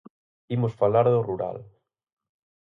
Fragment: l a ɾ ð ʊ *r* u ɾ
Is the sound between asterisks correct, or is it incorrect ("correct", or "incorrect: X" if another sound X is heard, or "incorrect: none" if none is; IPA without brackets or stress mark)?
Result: correct